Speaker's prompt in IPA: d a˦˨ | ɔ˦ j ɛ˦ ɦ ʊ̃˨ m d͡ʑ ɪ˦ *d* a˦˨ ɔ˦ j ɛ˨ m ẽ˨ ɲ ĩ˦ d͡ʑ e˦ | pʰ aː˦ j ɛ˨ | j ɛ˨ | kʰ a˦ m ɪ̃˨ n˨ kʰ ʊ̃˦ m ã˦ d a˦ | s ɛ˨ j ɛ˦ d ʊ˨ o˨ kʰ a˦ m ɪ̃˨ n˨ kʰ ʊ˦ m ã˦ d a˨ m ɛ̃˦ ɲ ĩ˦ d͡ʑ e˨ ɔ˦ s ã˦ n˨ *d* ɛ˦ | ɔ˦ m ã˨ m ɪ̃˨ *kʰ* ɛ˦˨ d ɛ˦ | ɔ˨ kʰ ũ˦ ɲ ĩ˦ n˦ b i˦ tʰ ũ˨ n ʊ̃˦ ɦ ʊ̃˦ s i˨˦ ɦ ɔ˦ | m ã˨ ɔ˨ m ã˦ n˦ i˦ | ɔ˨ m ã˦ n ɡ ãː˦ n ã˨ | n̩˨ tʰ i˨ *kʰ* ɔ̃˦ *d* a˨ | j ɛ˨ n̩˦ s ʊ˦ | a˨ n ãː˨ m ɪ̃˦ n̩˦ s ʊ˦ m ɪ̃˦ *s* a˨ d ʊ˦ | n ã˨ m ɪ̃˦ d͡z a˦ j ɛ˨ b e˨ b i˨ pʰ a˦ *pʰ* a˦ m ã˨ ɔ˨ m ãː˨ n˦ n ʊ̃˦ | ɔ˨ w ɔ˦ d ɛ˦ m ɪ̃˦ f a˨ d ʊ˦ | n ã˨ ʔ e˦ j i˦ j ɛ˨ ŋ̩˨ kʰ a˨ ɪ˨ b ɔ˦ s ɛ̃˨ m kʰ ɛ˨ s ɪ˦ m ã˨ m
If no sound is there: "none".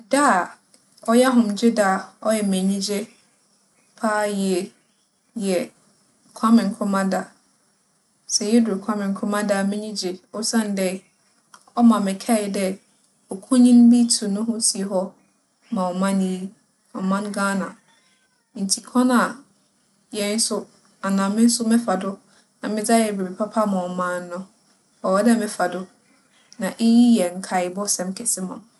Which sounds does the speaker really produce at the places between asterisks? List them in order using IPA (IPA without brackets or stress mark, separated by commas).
d, d, kʰ, kʰ, n, f, pʰ